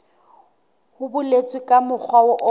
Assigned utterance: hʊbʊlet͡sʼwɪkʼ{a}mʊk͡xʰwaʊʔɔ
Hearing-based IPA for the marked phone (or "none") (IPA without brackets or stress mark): a